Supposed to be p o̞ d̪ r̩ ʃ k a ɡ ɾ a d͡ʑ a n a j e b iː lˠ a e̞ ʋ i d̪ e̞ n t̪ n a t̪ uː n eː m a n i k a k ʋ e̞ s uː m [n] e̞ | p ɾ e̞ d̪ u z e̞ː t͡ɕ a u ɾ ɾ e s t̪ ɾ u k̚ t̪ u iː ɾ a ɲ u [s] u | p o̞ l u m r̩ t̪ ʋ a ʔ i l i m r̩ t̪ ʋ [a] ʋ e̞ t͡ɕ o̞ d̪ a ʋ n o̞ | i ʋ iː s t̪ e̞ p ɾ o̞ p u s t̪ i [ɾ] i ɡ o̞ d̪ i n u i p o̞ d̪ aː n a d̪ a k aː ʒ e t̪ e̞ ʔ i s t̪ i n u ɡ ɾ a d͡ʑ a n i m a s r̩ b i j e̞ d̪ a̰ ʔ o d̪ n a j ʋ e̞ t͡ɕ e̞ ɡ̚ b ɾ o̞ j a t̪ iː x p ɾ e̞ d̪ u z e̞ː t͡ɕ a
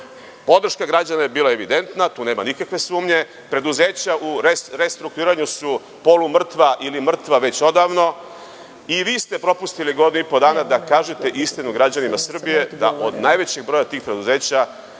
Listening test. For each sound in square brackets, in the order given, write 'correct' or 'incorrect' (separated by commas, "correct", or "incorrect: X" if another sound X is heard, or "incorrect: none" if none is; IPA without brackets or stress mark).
incorrect: ɲ, correct, correct, incorrect: l